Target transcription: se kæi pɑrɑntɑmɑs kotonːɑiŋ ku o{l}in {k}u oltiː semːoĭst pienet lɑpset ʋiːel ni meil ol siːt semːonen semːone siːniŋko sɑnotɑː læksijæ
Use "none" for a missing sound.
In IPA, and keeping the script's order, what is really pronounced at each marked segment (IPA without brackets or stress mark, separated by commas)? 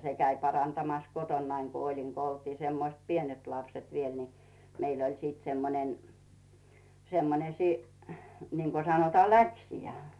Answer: l, k